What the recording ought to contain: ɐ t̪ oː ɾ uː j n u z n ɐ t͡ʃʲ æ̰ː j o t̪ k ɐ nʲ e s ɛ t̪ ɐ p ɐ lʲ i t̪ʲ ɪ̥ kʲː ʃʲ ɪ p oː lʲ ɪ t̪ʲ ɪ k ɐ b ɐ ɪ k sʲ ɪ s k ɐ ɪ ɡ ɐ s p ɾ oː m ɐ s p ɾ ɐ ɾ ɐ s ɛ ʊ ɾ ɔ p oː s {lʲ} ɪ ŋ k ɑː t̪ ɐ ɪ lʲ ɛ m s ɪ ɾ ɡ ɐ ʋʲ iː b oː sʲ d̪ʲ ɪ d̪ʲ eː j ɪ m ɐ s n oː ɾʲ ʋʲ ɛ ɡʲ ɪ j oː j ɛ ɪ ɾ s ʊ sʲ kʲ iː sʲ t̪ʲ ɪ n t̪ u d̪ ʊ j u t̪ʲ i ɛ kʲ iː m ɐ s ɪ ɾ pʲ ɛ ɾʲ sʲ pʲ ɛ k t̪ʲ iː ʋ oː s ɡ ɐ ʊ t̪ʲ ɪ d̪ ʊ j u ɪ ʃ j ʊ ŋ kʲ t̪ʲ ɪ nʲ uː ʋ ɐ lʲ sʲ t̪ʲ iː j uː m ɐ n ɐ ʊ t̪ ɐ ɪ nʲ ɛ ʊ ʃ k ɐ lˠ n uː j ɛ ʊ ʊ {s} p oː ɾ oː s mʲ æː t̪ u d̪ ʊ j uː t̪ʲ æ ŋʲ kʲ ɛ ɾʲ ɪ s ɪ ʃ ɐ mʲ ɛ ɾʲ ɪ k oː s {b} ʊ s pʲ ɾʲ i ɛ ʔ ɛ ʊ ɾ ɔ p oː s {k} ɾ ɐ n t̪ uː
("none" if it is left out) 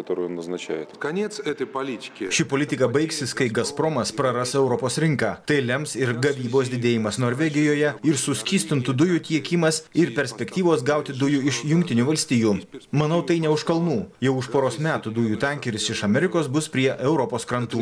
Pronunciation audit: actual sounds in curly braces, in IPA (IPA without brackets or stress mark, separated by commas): ɾʲ, ʃ, b, k